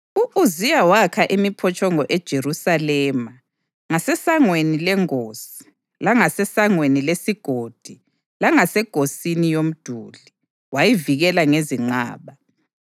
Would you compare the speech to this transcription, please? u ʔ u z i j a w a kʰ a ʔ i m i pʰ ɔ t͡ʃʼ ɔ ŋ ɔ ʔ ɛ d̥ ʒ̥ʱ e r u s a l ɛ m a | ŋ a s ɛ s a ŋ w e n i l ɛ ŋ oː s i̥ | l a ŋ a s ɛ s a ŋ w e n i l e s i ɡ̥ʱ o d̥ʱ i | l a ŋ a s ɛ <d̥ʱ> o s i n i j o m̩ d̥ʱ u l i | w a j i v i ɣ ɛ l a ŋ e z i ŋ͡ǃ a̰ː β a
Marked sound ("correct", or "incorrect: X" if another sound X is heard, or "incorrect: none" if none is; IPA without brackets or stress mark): incorrect: ɡ̥ʱ